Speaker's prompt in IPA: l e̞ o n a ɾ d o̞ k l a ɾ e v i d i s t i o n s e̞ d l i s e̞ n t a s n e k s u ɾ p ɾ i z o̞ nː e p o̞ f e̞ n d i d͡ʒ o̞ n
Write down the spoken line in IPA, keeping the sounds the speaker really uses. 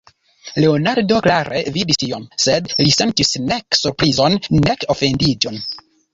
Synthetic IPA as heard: l e̞ o n a ɾ d o̞ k l a ɾ e v i d i s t i o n s e̞ d l i s e̞ n t i s n e k s u ɾ p ɾ i z o̞ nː e k o̞ f e̞ n d i d͡ʒ o̞ n